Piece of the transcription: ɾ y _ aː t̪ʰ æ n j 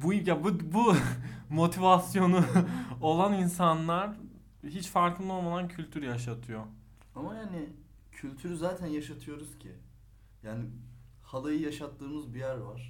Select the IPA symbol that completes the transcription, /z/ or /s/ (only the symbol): z